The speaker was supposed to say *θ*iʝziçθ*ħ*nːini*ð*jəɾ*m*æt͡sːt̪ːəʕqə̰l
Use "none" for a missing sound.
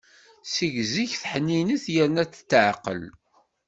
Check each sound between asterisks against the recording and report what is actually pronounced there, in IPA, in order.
s, ħ, θ, n

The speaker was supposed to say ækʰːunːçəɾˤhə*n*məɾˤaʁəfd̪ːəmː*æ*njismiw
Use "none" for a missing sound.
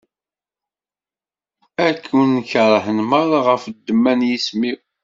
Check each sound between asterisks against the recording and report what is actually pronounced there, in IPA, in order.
n, æ

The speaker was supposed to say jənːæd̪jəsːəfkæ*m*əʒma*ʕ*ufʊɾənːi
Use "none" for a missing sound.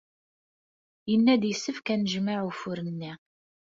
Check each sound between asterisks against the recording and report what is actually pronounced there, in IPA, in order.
n, ʕ

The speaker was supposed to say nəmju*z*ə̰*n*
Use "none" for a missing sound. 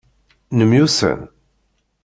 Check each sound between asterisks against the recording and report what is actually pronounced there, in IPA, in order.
s, n

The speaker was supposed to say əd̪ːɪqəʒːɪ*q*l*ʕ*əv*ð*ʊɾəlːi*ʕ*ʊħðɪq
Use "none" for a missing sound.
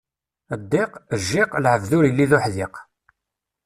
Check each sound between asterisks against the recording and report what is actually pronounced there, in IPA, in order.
q, ʕ, ð, ð

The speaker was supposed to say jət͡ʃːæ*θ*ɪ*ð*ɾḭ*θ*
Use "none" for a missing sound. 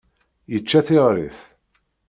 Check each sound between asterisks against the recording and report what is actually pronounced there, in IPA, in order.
θ, ʁ, θ

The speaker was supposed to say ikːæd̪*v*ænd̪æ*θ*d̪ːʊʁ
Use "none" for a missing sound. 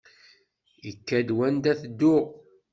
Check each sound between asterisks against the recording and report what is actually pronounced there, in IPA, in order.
w, θ

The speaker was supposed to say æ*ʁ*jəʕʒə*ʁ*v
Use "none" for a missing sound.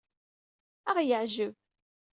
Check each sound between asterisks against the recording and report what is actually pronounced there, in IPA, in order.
ʁ, none

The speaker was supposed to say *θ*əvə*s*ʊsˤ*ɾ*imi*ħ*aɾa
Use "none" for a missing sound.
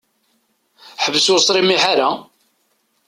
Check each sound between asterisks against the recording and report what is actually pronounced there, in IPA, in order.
ħ, s, ɾ, ħ

